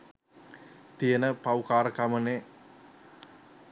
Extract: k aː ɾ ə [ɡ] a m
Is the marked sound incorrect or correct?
incorrect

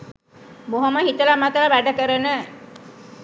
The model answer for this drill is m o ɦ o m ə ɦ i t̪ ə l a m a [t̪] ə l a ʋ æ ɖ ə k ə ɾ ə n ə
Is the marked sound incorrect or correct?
correct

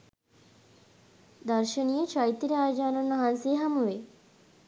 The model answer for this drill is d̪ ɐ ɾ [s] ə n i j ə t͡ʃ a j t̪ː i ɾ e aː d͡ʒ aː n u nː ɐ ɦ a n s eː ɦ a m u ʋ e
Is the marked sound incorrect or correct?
incorrect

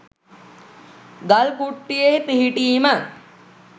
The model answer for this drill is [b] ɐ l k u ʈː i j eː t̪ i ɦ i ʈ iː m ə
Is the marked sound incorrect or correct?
incorrect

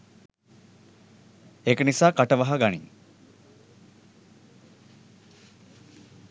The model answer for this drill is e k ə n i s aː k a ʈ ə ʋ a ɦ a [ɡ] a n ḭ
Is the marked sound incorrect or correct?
correct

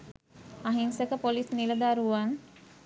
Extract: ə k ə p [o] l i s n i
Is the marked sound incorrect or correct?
correct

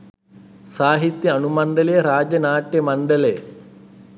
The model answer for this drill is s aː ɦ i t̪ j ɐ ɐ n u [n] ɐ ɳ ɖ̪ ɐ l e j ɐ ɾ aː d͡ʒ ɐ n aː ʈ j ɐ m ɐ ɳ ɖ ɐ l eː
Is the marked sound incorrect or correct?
incorrect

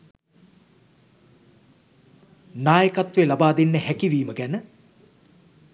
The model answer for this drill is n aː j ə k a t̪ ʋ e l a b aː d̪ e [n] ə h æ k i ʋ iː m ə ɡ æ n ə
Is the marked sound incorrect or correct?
incorrect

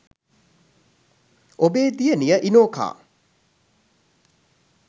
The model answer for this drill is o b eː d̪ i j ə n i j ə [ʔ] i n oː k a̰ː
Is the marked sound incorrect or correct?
correct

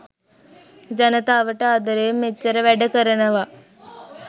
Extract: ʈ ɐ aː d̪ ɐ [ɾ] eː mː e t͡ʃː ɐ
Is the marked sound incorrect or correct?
correct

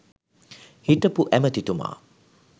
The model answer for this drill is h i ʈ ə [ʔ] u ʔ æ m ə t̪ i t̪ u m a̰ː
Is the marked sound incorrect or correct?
incorrect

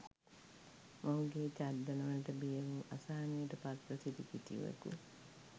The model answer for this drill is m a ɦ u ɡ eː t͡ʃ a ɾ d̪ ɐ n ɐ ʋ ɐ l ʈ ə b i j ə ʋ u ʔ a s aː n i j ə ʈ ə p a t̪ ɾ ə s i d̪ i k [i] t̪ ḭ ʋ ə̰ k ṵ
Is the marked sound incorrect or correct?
correct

